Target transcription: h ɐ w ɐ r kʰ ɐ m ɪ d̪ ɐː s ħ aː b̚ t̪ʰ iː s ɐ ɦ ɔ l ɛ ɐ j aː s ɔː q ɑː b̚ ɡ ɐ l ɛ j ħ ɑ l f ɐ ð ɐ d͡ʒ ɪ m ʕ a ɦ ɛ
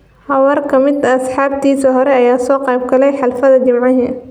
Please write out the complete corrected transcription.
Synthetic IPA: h ɐ w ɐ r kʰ ɐ m ɪ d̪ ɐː s ħ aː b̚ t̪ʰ iː s ɐ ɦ ɔ ɾ ɛ ɐ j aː s ɔː q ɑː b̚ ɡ ɐ l ɛ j ħ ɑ l f ɐ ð ɐ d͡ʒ ɪ m ʕ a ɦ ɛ